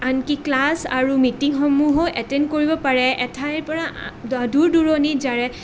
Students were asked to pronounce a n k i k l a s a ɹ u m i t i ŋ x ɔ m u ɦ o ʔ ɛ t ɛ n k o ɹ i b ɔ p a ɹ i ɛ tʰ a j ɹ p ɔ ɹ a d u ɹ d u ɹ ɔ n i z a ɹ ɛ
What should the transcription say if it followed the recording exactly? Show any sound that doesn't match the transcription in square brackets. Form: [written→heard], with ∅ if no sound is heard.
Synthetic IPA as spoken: a n k i k l a s a ɹ u m i t i ŋ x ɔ m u ɦ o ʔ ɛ t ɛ n k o ɹ i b ɔ p a ɹ [i→ɛ] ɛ tʰ a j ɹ p ɔ ɹ a d u ɹ d u ɹ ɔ n i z a ɹ ɛ